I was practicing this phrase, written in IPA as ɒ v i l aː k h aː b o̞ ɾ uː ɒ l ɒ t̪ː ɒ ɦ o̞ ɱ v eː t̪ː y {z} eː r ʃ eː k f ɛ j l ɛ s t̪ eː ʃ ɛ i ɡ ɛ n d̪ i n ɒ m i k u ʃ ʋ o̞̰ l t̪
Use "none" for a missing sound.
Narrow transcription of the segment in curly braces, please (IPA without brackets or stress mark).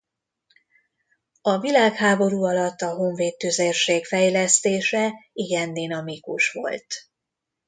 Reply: z